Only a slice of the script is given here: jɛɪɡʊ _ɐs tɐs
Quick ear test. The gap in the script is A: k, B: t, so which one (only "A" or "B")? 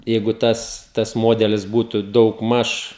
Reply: B